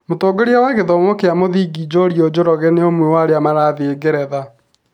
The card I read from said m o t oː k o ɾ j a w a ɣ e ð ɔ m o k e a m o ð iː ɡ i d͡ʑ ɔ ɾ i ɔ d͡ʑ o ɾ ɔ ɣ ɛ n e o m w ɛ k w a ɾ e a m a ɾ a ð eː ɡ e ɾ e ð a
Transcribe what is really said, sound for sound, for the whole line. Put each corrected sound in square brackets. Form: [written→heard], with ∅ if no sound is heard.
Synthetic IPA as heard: m o t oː [k→ɡ] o ɾ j a w a ɣ e ð ɔ m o k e a m o ð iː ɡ i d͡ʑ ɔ ɾ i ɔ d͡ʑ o ɾ ɔ ɣ ɛ n e o m w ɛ [k→∅] w a ɾ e a m a ɾ a ð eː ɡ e ɾ [e→ɛ] ð a